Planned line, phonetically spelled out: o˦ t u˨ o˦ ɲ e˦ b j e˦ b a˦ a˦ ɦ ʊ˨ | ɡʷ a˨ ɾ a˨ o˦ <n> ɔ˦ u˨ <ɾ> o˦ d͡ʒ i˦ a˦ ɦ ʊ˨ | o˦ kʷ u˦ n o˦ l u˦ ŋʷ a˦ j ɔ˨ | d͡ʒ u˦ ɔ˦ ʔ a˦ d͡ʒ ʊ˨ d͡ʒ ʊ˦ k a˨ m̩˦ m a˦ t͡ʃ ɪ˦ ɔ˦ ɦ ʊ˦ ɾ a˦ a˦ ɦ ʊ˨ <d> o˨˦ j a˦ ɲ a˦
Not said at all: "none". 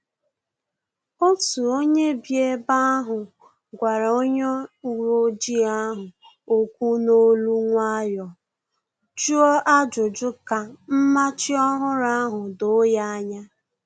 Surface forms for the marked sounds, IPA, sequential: ɲ, ɾ, d

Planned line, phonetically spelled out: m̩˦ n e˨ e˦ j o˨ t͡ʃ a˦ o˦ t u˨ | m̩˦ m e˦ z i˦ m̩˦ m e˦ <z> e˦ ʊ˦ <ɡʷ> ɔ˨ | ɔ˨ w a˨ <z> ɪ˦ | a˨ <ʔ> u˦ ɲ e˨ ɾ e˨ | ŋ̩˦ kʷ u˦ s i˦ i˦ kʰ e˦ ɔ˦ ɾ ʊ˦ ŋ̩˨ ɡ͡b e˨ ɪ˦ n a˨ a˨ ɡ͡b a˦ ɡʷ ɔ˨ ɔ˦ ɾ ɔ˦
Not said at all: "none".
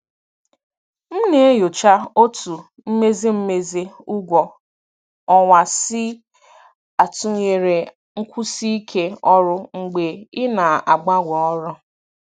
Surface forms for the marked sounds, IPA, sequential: z, ɡʷ, s, t

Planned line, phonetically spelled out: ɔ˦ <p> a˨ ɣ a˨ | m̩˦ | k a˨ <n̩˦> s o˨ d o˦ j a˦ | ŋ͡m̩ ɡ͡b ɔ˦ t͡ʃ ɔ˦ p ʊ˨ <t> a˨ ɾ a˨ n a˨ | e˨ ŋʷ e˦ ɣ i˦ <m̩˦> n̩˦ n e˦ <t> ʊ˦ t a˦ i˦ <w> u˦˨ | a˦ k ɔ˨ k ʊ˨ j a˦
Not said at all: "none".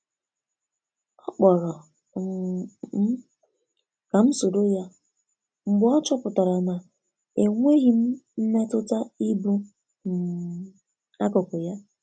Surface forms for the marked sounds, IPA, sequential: k͡p, m̩˦, t, m̩˦, t, b

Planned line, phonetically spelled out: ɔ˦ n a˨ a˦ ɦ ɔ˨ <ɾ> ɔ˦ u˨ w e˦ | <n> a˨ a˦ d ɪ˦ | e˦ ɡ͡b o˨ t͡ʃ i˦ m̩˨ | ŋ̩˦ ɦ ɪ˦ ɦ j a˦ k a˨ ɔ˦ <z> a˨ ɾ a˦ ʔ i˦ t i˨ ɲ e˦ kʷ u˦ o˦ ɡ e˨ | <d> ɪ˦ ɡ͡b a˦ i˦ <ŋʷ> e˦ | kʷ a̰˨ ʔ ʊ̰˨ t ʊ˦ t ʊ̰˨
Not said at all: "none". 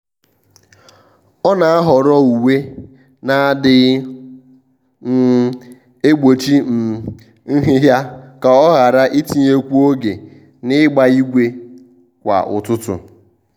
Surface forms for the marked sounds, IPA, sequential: ɾ, n, ɣ, n, ɡʷ

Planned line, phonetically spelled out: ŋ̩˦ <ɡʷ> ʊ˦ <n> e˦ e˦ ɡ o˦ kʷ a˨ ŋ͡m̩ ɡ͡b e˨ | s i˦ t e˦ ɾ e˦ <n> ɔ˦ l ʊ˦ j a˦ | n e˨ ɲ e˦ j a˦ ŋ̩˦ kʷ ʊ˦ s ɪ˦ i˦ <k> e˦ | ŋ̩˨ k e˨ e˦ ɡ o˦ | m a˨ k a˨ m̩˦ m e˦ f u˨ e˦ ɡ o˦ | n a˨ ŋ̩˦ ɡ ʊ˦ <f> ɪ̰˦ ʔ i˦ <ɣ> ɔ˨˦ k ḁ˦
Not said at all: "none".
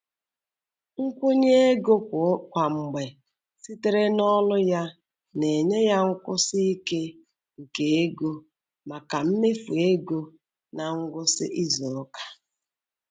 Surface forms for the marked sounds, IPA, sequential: kʷ, ɲ, n, k, s, z

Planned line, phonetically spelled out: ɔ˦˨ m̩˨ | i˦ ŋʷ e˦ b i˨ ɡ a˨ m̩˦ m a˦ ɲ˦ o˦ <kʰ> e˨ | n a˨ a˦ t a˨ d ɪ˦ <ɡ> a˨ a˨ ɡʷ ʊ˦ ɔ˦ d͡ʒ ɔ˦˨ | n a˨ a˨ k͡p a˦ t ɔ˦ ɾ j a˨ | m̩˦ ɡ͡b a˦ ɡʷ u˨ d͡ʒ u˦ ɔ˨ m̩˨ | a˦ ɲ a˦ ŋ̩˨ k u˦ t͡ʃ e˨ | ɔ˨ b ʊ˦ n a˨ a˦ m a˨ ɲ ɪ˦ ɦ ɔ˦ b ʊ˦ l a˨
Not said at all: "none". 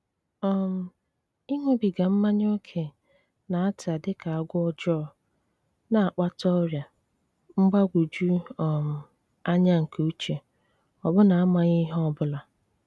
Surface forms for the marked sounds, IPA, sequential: kʰ, k

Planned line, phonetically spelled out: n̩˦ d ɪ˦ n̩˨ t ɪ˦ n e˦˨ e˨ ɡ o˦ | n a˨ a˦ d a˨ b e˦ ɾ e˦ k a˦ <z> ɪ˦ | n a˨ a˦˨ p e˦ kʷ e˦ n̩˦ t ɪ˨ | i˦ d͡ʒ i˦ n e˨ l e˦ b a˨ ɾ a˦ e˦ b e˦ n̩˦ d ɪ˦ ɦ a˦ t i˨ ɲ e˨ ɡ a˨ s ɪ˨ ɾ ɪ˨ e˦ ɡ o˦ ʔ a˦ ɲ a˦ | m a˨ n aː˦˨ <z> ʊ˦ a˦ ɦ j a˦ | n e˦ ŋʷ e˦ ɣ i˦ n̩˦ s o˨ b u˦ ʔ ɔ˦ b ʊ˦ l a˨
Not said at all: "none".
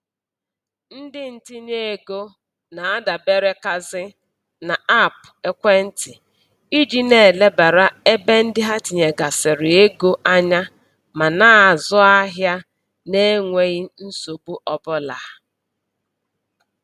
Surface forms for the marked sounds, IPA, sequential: z, z

